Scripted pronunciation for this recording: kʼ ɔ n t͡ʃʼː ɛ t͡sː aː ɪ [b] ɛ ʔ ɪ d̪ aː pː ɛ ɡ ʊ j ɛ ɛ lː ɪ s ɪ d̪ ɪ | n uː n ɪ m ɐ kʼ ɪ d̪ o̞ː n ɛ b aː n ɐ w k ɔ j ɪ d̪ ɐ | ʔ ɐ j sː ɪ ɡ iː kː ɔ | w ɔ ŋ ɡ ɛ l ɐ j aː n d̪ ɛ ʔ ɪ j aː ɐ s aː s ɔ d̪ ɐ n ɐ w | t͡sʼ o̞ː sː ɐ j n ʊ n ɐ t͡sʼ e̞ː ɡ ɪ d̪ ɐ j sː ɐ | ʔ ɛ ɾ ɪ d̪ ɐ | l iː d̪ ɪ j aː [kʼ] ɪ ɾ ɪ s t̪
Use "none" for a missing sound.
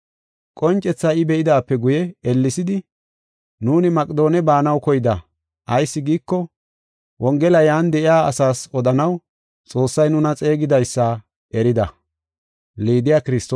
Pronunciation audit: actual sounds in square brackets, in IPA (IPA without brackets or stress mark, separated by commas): b, k